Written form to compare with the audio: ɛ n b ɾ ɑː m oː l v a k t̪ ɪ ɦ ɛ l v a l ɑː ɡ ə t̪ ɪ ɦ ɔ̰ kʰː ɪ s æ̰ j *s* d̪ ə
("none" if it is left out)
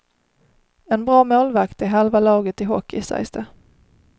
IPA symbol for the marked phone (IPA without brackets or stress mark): s